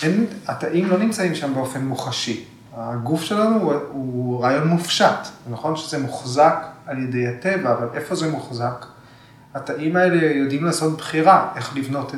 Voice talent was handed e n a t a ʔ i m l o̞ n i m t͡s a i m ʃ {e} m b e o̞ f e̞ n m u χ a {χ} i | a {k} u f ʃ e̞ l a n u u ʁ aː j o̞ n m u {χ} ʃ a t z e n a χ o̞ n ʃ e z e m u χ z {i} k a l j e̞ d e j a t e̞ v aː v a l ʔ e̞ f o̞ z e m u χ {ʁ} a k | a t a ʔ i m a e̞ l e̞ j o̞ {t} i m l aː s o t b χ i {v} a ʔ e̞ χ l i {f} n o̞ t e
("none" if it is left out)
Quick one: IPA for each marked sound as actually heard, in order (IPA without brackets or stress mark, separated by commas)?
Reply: a, ʃ, ɡ, f, a, z, d, ʁ, v